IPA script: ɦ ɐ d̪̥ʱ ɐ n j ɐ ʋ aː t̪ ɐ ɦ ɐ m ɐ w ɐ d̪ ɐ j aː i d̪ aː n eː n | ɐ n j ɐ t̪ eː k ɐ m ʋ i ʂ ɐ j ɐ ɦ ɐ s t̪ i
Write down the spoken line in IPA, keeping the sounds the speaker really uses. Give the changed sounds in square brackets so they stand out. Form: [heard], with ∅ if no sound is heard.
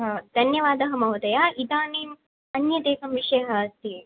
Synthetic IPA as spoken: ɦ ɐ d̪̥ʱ ɐ n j ɐ ʋ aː [d̪] ɐ ɦ ɐ m ɐ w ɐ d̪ ɐ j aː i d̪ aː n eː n | ɐ n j ɐ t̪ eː k ɐ m ʋ i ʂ ɐ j ɐ ɦ ɐ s t̪ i